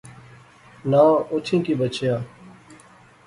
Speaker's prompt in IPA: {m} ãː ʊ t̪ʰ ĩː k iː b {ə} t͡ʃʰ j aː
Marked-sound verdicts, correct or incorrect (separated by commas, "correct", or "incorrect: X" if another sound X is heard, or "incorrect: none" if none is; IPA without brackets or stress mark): incorrect: n, correct